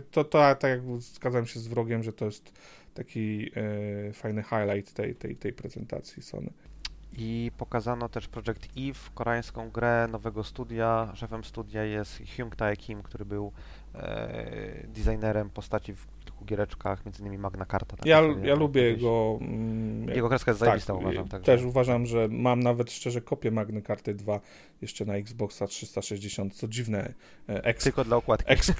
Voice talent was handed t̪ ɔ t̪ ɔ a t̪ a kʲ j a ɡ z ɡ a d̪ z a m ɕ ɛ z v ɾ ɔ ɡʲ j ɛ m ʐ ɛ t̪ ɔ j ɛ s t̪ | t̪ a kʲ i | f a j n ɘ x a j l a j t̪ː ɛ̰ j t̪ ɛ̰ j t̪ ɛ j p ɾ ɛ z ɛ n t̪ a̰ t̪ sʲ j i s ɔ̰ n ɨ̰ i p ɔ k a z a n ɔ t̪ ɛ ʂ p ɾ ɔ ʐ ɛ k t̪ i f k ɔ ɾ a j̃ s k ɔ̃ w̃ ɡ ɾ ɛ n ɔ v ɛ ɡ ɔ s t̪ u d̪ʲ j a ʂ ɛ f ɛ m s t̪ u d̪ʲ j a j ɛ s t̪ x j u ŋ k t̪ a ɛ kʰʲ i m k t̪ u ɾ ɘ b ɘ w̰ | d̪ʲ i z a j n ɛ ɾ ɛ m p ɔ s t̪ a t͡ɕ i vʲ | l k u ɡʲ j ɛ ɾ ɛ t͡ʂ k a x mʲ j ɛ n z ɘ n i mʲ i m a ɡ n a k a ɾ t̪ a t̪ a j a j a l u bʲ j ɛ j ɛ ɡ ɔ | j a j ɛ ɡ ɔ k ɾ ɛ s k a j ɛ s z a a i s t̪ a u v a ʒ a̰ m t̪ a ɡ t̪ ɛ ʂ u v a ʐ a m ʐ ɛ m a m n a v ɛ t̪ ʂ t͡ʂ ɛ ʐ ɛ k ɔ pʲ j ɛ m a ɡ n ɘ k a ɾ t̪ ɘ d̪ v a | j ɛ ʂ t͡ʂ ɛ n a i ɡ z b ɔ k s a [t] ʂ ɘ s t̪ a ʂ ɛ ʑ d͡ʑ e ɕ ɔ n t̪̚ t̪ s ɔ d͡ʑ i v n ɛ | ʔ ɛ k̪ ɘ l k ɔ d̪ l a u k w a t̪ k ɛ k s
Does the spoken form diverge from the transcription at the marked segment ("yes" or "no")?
no